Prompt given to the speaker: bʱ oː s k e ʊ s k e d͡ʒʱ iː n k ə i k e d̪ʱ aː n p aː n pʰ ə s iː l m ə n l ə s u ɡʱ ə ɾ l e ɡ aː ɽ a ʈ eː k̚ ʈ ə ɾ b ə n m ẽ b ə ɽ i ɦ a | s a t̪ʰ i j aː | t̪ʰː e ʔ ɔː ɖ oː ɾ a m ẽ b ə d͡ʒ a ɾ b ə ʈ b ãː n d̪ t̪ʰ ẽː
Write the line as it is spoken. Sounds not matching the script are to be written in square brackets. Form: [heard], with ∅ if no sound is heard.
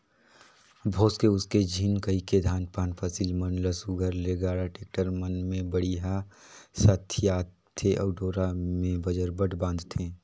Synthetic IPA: bʱ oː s k e ʊ s k e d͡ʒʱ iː n k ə i k e d̪ʱ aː n p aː n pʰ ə s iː l m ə n l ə s u ɡʱ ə ɾ l e ɡ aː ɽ a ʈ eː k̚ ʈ ə ɾ [m] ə n m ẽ b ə ɽ i ɦ a | s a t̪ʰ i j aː | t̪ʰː e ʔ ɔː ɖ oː ɾ a m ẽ b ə d͡ʒ [ə] ɾ b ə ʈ b ãː n d̪ t̪ʰ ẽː